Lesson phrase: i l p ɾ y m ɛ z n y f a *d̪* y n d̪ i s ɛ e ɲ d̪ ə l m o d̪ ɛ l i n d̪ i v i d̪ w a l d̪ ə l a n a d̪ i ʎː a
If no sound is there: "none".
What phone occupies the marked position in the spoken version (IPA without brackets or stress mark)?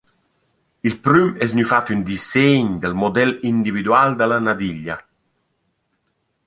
t̪